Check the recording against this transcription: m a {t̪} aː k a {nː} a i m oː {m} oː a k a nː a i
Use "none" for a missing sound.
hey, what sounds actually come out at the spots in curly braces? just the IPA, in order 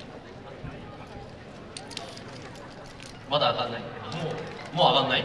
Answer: d̪, nː, m

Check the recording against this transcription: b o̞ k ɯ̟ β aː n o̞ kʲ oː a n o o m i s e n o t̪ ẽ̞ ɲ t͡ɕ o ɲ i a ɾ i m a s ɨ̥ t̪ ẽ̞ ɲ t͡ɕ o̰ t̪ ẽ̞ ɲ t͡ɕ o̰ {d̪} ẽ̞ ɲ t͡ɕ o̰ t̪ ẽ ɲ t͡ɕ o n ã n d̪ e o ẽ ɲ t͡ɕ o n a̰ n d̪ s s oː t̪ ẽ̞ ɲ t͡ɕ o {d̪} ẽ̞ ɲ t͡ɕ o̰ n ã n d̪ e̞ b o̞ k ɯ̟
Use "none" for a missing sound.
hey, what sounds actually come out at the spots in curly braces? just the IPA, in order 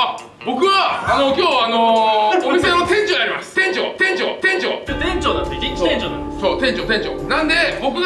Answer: t̪, t̪

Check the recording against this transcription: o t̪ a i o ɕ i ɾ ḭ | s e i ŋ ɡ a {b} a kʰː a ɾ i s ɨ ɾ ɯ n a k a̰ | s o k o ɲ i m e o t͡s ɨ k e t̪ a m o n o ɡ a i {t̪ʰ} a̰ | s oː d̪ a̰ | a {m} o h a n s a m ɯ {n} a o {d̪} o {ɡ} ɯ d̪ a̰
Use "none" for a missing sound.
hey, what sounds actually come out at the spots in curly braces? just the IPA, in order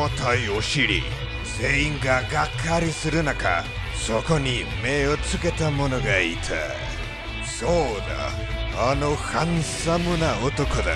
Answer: ɡ, t̪ʰ, n, n, t̪, k

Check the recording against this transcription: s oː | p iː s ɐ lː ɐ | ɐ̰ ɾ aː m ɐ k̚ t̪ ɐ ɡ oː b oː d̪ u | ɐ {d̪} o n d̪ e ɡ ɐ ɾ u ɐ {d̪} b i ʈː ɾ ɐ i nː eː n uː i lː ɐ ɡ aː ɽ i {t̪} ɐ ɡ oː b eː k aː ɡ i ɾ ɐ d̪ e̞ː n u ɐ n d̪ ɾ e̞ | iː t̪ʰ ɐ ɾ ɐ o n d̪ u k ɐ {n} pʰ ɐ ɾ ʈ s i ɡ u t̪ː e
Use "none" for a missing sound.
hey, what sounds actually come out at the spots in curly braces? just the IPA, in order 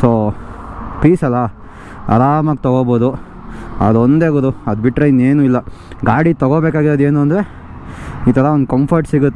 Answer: d̪, d̪, t̪, m

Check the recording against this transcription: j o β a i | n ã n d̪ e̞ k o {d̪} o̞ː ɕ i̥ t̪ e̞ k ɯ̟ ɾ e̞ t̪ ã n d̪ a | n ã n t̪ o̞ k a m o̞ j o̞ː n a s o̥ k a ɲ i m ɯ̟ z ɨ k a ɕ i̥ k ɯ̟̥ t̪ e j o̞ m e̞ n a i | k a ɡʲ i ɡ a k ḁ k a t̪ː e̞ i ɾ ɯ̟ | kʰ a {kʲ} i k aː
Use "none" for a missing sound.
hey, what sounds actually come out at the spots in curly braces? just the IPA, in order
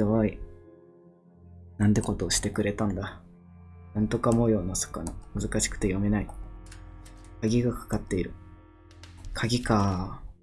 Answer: t̪, ɡʲ

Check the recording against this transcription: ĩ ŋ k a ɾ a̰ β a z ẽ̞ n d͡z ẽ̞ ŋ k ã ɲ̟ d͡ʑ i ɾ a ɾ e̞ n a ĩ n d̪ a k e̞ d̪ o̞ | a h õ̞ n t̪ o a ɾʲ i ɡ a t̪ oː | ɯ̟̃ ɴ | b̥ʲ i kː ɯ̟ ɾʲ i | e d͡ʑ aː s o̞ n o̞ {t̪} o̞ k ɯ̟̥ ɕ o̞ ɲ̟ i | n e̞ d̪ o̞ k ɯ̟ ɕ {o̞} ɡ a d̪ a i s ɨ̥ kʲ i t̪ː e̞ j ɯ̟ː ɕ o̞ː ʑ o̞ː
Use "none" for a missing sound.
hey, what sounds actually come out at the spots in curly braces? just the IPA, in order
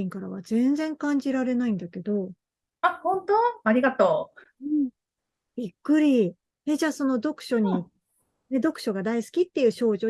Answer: d̪, o̞

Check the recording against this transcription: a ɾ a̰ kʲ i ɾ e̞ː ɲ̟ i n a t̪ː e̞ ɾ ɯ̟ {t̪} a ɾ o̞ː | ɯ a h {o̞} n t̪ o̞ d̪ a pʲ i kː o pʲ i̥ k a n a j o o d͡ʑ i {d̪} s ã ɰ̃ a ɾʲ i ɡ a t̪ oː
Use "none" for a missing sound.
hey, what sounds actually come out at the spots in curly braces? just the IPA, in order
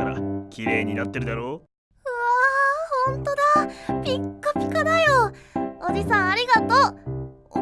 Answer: d̪, õ̞, none

